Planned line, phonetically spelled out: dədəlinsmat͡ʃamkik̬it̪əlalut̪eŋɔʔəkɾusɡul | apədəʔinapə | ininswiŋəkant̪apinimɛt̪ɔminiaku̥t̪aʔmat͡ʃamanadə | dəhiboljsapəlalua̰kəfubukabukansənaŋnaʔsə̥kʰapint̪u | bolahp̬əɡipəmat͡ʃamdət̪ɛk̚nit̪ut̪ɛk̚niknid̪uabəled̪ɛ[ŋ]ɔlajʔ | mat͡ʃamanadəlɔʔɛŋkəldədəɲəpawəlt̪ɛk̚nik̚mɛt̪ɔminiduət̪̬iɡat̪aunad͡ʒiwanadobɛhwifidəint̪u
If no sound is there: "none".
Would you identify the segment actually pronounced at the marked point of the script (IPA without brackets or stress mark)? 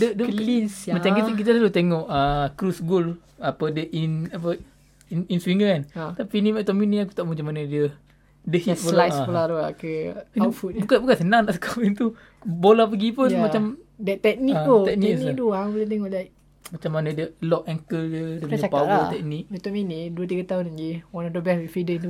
ŋ